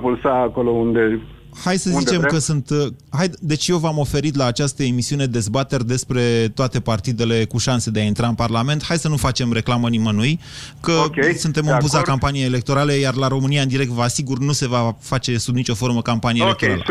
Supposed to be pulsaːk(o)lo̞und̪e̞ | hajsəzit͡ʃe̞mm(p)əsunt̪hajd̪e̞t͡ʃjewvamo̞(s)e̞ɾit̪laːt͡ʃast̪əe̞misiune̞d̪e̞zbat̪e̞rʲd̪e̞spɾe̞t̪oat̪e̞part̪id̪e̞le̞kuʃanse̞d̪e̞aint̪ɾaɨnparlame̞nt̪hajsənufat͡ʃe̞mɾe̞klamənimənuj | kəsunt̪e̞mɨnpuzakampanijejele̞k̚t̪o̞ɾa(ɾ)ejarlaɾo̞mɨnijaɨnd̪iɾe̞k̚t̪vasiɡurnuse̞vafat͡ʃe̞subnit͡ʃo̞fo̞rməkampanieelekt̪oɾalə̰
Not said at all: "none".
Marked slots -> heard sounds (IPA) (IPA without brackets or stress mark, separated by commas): o, k, f, l